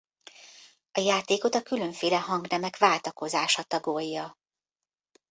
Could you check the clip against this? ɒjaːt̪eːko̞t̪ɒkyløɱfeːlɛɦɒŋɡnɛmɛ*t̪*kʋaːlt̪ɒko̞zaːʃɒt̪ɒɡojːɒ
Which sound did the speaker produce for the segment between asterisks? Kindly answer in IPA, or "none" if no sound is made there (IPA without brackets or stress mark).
none